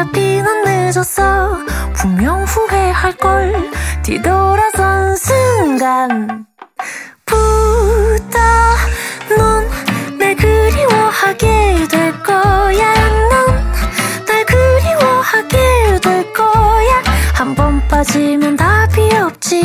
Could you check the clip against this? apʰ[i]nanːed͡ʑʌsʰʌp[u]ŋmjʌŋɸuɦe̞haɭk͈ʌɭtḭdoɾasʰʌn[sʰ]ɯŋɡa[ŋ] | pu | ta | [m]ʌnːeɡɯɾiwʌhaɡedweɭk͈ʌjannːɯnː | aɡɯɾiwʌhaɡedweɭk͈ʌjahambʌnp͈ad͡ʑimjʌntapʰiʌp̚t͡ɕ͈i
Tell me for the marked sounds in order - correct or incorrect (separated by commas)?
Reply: correct, correct, correct, incorrect, incorrect